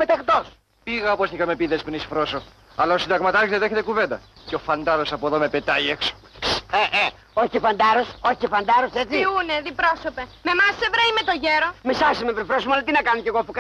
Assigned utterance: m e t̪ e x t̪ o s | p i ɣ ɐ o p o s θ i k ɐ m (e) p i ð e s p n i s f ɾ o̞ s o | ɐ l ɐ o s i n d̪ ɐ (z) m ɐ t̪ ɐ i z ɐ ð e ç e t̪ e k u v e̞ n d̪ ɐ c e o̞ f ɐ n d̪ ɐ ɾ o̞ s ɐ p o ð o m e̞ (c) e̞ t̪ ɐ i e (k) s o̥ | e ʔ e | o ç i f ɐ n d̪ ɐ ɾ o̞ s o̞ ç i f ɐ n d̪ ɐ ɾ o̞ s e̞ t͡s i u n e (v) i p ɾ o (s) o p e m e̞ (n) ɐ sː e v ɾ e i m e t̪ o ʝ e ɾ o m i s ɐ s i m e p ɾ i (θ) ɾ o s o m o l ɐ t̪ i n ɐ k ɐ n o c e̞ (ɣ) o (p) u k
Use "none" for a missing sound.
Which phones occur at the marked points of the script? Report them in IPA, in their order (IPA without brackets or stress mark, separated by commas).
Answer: e, ɣ, p, k, ð, s, m, f, ɣ, p